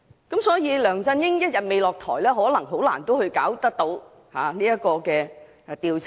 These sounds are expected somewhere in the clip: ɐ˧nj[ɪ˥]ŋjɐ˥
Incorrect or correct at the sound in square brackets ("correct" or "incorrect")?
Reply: correct